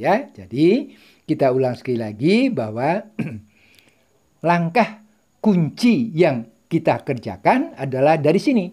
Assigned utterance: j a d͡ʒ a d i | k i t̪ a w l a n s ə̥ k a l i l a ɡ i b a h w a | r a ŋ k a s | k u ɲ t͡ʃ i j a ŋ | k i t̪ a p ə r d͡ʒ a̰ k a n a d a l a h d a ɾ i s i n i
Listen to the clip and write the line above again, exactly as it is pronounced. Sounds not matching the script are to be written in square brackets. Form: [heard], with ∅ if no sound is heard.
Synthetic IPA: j a d͡ʒ a d i | k i t̪ a [u] l a [ŋ] s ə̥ k a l i l a ɡ i b a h w a | [l] a ŋ k a [h] | k u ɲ t͡ʃ i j a ŋ | k i t̪ a [k] ə r d͡ʒ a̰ k a n a d a l a h d a ɾ i s i n i

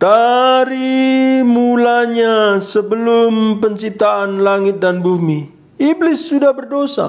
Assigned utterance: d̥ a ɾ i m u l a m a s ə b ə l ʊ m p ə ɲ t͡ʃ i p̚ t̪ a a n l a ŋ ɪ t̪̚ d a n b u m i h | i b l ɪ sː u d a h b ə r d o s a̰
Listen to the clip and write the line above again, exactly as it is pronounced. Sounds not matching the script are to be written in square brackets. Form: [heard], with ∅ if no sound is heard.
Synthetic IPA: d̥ a ɾ i m u l a [ɲ] a s ə b ə l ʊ m p ə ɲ t͡ʃ i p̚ t̪ a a n l a ŋ ɪ t̪̚ d a n b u m i [∅] | i b l ɪ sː u d a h b ə r d o s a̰

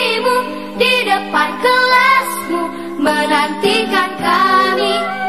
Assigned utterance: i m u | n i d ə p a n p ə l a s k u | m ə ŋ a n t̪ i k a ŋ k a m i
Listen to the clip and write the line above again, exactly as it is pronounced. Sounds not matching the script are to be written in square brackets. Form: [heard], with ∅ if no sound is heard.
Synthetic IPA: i m u | [d] i d ə p a n [k] ə l a s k u | m ə [n] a n t̪ i k a [n] k a m i

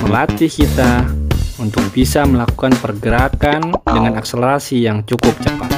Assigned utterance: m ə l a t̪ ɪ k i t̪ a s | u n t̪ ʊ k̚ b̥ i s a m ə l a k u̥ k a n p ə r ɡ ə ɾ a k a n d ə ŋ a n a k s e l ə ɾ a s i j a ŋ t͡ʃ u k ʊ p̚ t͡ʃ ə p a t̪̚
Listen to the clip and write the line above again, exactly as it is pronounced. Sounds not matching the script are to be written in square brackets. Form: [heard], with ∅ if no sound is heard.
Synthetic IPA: m ə l a t̪ [i] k i t̪ a [∅] | u n t̪ ʊ k̚ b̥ i s a m ə l a k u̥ k a n p ə r ɡ ə ɾ a k a n d ə ŋ a n a k s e l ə ɾ a s i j a ŋ t͡ʃ u k ʊ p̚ t͡ʃ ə p a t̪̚

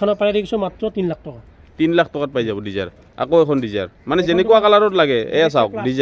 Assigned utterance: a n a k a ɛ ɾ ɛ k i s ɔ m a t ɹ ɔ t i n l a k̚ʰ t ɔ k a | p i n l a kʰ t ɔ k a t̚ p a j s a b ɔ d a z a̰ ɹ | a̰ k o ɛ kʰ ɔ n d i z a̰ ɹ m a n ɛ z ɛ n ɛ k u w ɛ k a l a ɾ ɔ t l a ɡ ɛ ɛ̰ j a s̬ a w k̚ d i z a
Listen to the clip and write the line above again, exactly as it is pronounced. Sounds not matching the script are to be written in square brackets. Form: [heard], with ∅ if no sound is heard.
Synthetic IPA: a n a [p] a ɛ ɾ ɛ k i s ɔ m a t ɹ ɔ t i n l a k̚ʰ t ɔ k a | [t] i n l a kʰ t ɔ k a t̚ p a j [z] a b ɔ d [i] z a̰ ɹ | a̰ k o ɛ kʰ ɔ n d i z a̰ ɹ m a n ɛ z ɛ n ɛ k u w [a] k a l a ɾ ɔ t l a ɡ ɛ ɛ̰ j a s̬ a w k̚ d i z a

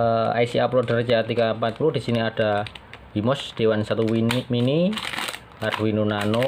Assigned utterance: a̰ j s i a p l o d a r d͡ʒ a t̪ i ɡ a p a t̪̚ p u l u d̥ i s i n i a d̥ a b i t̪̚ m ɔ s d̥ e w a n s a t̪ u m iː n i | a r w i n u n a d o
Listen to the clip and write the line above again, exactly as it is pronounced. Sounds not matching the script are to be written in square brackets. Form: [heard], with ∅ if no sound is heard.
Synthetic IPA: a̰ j s i a p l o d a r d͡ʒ a t̪ i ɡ a p a t̪̚ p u l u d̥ i s i n i a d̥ a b i [∅] m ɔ s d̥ e w a n s a t̪ u m [i] n i | a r w i n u n a [n] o

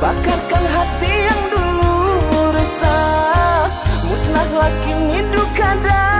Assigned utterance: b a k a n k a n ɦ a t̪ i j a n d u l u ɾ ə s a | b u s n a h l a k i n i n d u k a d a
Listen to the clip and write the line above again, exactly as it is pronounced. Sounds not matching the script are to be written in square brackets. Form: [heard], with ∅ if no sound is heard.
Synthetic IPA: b a k a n k a n ɦ a t̪ i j a [ŋ] d u l u ɾ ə s a | [m] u s n a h l a k i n i n d u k a d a

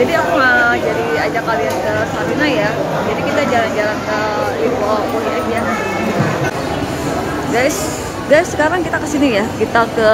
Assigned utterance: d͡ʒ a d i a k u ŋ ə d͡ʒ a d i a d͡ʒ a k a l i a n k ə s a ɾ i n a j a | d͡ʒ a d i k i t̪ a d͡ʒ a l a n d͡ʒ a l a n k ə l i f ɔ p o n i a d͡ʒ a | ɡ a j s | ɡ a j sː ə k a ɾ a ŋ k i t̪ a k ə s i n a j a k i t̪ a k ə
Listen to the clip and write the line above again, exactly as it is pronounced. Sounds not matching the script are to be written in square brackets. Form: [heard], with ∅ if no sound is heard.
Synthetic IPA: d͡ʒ a d i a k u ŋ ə d͡ʒ a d i a d͡ʒ a k a l i a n k ə s a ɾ i n a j a | d͡ʒ a d i k i t̪ a d͡ʒ a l a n d͡ʒ a l a n k ə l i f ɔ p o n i a d͡ʒ a | ɡ a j s | ɡ a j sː ə k a ɾ a ŋ k i t̪ a k ə s i n [i] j a k i t̪ a k ə

